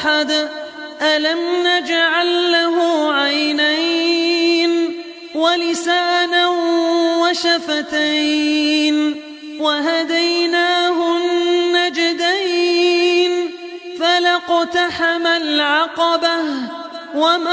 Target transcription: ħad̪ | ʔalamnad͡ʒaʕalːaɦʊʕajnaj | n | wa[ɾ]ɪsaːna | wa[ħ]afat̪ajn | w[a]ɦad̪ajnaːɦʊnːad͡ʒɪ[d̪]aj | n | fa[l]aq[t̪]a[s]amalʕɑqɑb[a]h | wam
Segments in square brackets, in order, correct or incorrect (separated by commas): incorrect, incorrect, correct, correct, correct, correct, incorrect, correct